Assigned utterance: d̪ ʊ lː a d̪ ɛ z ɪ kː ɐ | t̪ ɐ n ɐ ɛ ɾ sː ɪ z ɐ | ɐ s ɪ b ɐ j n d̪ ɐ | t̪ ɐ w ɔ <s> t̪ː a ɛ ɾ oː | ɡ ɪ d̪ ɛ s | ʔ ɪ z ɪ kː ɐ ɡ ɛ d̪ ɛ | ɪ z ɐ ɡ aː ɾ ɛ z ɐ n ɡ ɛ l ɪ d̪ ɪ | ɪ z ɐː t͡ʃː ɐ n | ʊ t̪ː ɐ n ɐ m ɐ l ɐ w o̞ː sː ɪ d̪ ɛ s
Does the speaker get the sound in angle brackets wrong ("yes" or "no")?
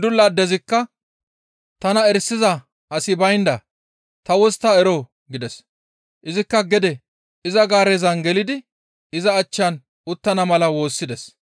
no